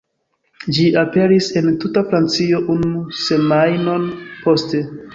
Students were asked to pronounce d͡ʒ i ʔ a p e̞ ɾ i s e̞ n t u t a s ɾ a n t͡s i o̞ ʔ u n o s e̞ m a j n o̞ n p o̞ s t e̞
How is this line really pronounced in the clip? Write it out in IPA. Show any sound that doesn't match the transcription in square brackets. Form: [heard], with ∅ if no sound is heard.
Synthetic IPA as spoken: d͡ʒ i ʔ a p e̞ ɾ i s e̞ n t u t a [f] ɾ a n t͡s i o̞ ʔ u n [u] s e̞ m a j n o̞ n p o̞ s t e̞